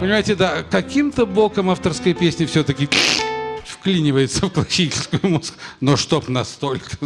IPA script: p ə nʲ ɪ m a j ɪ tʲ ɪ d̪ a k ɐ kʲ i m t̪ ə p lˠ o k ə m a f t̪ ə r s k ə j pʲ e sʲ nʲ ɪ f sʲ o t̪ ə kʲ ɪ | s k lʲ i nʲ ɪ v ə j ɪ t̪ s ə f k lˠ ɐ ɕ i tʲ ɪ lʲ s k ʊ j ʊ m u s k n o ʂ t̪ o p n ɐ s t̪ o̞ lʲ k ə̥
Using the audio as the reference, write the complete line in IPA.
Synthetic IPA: p ə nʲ ɪ m a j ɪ tʲ ɪ d̪ a k ɐ kʲ i m t̪ ə b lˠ o k ə m a f t̪ ə r s k ə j pʲ e sʲ nʲ ɪ f sʲ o t̪ ə kʲ ɪ | f k lʲ i nʲ ɪ v ə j ɪ t̪ s ə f k lˠ ɐ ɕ i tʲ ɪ lʲ s k ʊ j ʊ m u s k n o ʂ t̪ o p n ɐ s t̪ o̞ lʲ k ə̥